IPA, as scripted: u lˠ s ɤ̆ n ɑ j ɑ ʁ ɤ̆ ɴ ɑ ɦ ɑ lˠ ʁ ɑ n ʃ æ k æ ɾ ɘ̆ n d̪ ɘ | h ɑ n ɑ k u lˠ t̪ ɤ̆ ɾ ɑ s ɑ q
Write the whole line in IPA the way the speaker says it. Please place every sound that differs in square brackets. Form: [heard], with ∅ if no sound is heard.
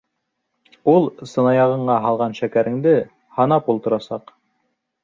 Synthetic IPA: u lˠ s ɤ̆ n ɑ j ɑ ʁ ɤ̆ ɴ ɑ ɦ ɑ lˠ ʁ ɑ n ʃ æ k æ ɾ ɘ̆ [ŋ] d̪ ɘ | h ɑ n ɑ [p] u lˠ t̪ ɤ̆ ɾ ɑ s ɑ q